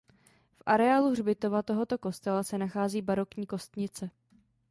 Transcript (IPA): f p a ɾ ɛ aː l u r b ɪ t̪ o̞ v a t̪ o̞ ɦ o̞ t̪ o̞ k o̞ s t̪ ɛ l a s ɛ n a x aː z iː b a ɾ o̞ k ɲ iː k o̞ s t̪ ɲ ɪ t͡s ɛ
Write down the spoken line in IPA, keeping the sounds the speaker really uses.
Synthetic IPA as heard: f ʔ a ɾ ɛ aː l u r b ɪ t̪ o̞ v a t̪ o̞ ɦ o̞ t̪ o̞ k o̞ s t̪ ɛ l a s ɛ n a x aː z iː b a ɾ o̞ k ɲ iː k o̞ s t̪ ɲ ɪ t͡s ɛ